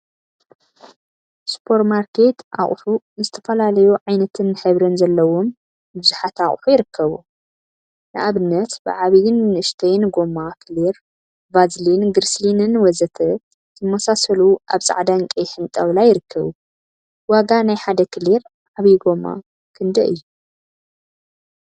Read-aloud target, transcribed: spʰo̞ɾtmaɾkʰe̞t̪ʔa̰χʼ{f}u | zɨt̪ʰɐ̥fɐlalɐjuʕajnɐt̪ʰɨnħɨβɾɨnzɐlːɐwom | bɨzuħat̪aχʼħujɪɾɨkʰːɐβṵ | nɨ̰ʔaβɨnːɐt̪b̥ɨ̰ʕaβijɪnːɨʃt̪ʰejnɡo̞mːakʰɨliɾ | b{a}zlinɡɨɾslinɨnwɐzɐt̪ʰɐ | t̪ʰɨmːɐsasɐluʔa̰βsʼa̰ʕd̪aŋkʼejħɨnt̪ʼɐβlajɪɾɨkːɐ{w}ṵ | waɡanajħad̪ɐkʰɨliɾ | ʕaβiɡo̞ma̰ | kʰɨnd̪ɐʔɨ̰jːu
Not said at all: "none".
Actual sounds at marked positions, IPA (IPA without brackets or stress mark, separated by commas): ħ, a, β